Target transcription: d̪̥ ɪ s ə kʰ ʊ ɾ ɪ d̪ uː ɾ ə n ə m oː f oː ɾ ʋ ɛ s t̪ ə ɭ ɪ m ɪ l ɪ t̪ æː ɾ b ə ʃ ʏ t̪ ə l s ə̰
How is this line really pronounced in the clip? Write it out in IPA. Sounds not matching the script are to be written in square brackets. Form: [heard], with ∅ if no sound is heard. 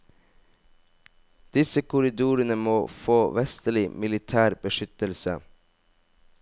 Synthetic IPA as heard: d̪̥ ɪ s ə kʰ ʊ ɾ ɪ d̪ uː ɾ ə n ə m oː f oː [∅] ʋ ɛ s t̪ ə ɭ ɪ m ɪ l ɪ [t̪ʰ] æː ɾ b ə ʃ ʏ t̪ ə l s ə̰